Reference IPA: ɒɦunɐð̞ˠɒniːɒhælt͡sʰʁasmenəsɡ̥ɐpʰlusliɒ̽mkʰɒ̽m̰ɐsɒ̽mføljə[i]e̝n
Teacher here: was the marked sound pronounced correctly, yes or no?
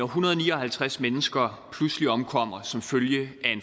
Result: no